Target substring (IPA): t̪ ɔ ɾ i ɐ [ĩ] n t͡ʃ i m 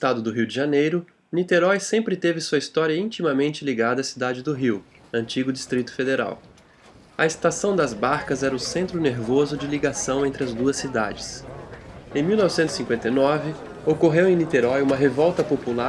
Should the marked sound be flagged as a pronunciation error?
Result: no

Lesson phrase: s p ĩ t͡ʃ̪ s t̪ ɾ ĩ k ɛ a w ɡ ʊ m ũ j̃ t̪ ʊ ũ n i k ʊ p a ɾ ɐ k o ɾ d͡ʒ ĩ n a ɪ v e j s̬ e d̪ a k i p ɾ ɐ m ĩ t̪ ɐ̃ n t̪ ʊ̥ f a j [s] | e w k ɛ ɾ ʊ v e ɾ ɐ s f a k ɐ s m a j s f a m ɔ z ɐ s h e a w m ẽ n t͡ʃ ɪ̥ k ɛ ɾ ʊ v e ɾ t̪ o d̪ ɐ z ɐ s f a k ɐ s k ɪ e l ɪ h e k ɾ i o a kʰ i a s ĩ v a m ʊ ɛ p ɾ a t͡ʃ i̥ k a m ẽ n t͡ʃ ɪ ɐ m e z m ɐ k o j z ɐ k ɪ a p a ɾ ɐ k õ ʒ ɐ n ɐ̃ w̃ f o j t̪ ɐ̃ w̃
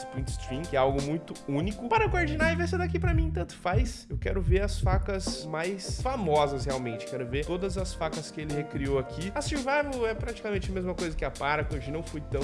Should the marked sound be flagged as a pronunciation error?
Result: no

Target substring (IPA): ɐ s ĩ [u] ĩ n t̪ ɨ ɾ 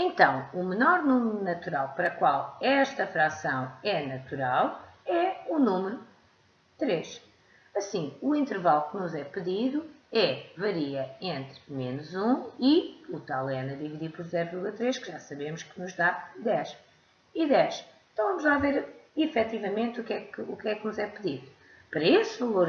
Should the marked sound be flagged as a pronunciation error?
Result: no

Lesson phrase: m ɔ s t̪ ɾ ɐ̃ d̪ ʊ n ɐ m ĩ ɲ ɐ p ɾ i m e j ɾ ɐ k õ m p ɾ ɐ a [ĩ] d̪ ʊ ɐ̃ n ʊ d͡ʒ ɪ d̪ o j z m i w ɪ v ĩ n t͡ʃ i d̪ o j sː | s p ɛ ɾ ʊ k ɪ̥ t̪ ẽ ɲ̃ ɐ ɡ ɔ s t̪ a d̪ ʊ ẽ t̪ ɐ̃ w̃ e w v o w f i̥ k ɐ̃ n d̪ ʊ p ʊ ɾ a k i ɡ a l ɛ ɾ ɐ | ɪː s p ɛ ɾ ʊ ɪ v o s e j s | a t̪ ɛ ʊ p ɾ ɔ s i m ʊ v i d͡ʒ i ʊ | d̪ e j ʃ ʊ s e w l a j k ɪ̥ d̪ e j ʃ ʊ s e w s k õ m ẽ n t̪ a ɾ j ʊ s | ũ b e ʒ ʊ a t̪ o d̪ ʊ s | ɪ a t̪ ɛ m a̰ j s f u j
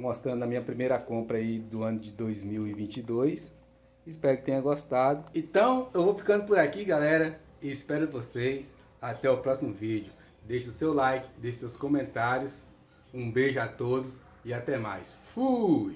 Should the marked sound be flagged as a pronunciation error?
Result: yes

